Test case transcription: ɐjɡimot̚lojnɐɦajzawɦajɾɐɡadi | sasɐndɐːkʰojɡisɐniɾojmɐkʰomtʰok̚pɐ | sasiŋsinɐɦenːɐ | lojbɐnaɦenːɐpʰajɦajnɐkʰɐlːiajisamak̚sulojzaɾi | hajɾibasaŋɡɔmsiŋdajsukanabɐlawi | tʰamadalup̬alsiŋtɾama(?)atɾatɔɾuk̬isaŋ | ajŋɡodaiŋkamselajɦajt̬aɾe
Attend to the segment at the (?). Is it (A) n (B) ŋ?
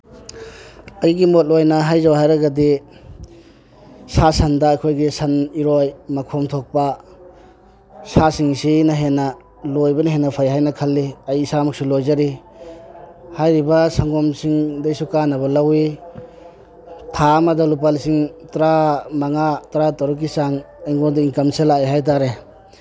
B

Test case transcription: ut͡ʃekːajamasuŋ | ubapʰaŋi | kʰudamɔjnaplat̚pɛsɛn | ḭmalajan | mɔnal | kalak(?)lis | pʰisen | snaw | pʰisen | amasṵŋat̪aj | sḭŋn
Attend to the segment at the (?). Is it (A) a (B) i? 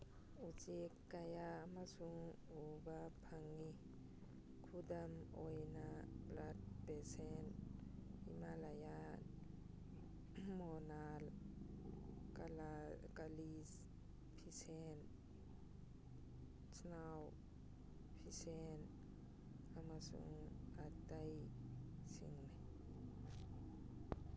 A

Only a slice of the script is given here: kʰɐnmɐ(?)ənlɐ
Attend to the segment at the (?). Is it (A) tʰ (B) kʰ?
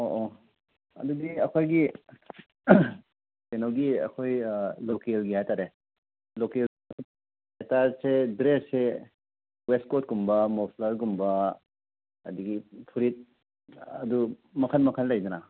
B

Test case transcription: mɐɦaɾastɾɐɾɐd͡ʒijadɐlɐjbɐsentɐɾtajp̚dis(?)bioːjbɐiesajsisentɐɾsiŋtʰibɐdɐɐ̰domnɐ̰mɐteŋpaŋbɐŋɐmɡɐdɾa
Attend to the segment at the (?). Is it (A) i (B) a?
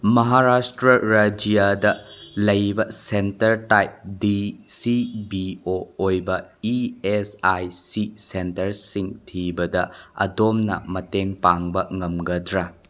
A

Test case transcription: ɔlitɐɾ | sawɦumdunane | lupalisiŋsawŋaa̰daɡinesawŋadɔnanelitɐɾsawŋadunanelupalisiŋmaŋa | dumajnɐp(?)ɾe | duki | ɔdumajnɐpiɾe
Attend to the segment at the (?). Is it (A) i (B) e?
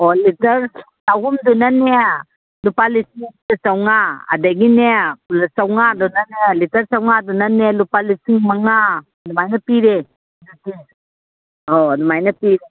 A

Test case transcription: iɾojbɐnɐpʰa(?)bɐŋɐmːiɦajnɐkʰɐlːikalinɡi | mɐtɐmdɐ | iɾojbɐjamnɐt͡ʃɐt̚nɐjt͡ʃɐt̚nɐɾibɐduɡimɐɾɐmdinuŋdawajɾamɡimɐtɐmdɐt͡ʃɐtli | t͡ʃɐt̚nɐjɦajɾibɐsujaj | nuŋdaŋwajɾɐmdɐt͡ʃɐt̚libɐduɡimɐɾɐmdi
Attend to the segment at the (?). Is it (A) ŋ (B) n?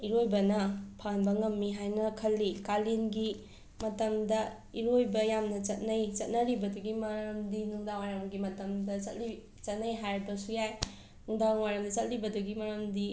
B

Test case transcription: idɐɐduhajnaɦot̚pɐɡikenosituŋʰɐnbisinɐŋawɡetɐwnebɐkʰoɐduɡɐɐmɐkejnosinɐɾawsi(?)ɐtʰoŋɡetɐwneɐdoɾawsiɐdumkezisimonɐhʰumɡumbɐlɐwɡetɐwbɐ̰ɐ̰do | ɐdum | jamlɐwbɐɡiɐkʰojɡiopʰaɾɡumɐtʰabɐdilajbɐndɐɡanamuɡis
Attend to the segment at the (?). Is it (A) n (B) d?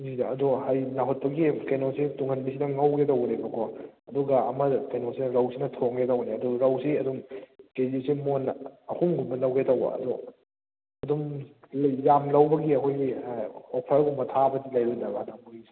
A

